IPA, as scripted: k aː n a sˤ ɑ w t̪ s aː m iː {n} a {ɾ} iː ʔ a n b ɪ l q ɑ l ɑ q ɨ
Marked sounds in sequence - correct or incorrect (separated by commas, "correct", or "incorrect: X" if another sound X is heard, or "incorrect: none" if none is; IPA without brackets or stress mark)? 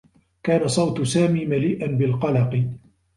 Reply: incorrect: m, incorrect: l